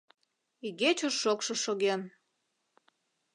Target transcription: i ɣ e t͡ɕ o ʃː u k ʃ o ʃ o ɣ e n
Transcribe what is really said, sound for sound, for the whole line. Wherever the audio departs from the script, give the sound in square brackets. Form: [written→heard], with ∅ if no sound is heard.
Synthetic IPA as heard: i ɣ e t͡ɕ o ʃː [u→o] k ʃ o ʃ o ɣ e n